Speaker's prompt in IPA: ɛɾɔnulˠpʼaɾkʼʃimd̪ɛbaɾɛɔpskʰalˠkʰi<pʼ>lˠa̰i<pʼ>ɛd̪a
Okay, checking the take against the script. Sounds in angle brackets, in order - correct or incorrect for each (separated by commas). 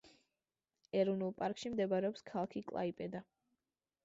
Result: incorrect, correct